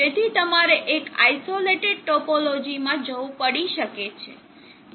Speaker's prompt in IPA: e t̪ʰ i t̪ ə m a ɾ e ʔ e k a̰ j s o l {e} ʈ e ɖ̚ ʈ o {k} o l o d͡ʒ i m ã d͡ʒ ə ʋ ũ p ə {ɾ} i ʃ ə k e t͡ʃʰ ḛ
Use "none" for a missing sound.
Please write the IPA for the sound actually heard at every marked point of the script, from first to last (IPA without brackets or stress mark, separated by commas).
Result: e, p, ɽ